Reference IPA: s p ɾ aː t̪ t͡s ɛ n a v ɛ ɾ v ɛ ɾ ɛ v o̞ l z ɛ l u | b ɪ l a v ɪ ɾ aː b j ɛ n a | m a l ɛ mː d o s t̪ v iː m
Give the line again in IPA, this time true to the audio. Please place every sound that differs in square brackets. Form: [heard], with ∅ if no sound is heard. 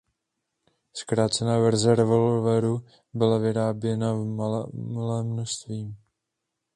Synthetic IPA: s [k] ɾ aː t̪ t͡s ɛ n a v ɛ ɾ [z] ɛ ɾ ɛ v o̞ l [v] ɛ [ɾ] u | b ɪ l a v ɪ ɾ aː b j ɛ n a | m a l [ɛː] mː [n] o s t̪ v iː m